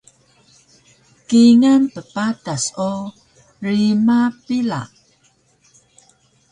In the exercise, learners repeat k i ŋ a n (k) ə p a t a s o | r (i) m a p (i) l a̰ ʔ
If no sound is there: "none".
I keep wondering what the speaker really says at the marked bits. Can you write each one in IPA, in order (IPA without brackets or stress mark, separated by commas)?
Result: p, i, i